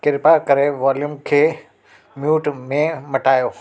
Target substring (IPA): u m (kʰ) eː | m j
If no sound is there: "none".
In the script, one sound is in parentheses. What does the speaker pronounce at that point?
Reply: kʰ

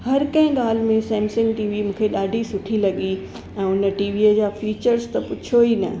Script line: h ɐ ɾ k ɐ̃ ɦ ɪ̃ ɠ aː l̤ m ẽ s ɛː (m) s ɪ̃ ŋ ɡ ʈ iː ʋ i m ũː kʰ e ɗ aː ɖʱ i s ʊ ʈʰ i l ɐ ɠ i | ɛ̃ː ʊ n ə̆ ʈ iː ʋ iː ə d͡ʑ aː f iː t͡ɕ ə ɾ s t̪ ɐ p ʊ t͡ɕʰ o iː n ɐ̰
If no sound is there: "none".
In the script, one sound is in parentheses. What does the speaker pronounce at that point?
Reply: m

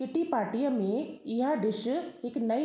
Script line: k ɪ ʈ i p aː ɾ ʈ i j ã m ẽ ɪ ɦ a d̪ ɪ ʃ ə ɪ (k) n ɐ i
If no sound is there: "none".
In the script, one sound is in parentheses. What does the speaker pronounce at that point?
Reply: k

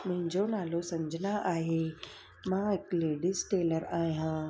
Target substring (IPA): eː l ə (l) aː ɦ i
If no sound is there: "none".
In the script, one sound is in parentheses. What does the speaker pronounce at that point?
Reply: ɾ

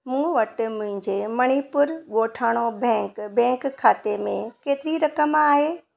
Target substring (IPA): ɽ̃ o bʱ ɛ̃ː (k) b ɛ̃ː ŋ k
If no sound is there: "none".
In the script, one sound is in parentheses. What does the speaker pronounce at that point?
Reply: k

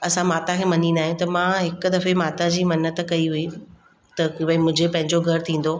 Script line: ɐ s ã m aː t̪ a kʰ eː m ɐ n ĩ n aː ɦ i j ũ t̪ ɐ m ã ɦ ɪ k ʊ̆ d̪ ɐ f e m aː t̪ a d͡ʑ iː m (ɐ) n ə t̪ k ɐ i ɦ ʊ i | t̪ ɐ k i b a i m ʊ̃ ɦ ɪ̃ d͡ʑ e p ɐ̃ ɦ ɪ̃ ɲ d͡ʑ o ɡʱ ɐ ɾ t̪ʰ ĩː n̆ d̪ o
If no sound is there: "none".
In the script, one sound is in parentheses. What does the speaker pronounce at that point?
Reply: ɐ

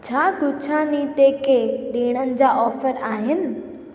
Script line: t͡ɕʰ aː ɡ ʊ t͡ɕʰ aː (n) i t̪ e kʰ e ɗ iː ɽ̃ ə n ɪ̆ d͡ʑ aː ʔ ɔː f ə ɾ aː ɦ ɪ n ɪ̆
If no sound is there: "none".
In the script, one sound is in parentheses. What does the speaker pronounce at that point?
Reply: n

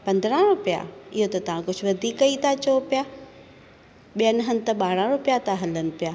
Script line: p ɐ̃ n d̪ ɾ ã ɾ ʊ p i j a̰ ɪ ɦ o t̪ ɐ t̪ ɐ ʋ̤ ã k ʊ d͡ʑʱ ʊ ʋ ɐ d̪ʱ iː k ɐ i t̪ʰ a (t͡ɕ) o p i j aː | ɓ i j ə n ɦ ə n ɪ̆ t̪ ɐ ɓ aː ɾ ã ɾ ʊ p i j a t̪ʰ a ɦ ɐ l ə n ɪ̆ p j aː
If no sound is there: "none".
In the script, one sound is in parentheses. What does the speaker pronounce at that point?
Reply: t͡ɕ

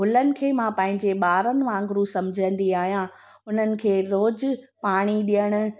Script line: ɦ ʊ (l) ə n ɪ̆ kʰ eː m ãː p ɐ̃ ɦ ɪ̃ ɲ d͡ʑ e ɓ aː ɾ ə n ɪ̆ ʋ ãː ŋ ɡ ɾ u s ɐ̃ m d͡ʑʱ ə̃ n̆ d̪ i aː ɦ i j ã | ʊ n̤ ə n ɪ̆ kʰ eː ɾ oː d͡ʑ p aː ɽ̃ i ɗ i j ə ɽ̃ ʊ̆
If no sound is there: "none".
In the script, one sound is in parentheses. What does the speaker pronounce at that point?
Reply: l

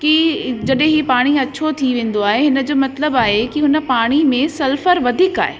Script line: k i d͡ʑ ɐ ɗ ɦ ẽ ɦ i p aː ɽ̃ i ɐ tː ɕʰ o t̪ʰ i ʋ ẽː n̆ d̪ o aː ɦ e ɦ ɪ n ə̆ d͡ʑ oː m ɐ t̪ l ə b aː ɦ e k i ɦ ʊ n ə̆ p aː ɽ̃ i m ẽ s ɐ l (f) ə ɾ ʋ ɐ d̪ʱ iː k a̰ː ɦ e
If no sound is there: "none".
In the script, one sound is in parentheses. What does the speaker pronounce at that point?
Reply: f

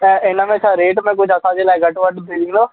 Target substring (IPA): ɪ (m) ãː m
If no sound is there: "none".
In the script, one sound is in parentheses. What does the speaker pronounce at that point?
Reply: n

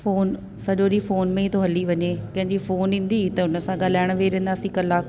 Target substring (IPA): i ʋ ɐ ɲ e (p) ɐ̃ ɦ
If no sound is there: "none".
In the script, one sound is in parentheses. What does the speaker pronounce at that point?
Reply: k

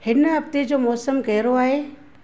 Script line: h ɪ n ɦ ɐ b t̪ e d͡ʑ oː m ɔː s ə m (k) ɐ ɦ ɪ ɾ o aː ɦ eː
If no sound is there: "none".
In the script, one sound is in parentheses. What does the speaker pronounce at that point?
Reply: k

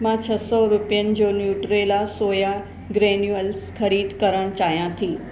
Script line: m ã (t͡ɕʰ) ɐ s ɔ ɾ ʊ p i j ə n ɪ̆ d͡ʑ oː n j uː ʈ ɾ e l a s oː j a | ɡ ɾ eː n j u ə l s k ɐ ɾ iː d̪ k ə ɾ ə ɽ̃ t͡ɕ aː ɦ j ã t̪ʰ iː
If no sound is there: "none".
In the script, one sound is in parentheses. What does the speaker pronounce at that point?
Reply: t͡ɕʰ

